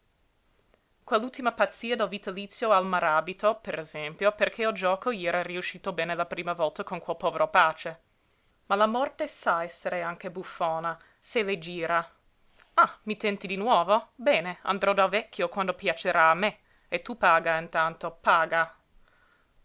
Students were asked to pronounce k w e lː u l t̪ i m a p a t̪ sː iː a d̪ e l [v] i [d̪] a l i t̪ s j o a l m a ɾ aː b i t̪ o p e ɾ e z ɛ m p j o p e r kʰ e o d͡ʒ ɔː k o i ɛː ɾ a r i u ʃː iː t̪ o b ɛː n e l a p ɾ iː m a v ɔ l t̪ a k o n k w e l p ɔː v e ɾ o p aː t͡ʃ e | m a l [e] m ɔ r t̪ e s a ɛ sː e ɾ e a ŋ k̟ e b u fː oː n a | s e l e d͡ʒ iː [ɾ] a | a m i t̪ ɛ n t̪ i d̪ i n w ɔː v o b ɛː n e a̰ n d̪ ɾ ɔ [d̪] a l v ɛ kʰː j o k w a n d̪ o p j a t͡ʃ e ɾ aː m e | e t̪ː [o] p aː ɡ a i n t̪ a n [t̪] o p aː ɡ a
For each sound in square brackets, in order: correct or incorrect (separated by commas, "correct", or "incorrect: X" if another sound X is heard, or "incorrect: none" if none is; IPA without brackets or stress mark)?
correct, incorrect: t̪, incorrect: a, correct, correct, incorrect: u, correct